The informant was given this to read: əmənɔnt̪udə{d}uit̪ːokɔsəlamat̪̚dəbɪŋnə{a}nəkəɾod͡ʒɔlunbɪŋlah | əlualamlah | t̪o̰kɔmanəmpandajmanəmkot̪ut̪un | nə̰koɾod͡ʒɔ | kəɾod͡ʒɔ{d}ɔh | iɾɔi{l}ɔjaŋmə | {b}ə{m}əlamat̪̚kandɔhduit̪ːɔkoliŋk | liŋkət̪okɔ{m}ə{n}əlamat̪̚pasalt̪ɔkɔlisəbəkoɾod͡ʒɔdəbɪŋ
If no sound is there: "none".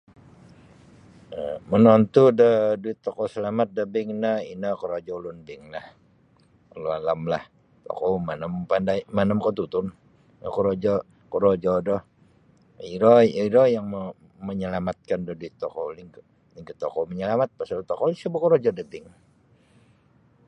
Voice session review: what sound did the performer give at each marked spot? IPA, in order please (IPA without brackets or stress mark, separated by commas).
d, i, d, ɾ, m, ɲ, m, ɲ